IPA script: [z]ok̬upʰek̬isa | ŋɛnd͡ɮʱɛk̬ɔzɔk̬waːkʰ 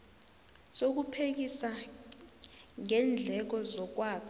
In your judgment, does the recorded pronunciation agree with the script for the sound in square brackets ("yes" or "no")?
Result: no